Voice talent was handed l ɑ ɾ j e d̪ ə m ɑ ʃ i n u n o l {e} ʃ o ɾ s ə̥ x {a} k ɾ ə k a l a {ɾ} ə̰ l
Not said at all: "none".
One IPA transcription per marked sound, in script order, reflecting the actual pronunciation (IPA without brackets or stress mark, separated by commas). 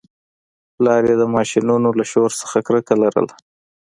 a, a, ɾ